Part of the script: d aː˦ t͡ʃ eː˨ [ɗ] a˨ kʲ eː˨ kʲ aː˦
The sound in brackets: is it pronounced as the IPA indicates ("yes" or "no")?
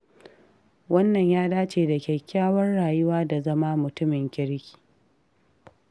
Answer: no